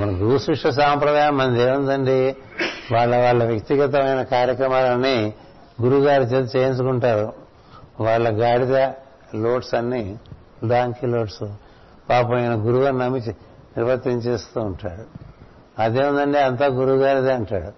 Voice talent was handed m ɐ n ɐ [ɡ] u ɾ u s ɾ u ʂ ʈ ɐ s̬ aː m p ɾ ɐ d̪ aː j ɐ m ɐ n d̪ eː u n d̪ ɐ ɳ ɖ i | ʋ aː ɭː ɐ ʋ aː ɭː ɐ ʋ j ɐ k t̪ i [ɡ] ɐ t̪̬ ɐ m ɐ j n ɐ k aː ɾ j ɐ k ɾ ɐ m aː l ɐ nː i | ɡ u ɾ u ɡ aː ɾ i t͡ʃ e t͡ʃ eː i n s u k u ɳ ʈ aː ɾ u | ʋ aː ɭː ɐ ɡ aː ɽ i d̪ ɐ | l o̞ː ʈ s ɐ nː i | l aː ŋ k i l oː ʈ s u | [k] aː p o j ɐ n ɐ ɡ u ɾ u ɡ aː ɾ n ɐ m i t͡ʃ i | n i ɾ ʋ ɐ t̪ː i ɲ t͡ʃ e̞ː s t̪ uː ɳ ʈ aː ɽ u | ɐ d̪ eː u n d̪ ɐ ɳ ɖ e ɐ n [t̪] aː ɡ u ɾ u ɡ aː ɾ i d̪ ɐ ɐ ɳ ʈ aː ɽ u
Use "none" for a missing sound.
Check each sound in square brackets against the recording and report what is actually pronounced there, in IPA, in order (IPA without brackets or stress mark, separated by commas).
ɡ, ɡ, p, t̪